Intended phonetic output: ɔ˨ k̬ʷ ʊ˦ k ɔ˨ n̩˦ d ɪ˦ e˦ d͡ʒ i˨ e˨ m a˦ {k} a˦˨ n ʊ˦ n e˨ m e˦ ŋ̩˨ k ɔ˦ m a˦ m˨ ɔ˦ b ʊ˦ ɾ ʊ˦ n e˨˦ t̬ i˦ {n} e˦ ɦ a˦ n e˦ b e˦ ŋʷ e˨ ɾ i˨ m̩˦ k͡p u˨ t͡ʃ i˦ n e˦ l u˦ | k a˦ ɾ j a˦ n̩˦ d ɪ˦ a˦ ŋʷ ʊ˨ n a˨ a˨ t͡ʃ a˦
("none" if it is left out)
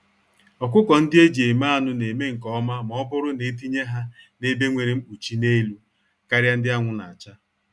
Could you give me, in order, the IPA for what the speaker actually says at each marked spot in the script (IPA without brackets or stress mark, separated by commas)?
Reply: none, ɲ